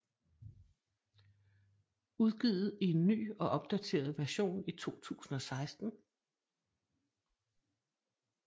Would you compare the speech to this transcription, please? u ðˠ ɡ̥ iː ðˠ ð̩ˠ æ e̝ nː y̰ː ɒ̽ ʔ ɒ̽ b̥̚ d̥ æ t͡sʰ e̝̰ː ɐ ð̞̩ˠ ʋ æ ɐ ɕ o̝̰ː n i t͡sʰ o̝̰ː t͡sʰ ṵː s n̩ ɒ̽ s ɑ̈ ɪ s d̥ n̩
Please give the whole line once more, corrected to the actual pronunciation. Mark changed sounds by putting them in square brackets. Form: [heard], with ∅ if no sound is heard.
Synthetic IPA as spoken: u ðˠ ɡ̥ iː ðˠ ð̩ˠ [i] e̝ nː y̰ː ɒ̽ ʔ ɒ̽ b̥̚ d̥ æ t͡sʰ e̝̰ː ɐ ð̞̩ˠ ʋ æ ɐ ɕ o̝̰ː n i t͡sʰ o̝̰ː t͡sʰ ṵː s n̩ ɒ̽ s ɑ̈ ɪ s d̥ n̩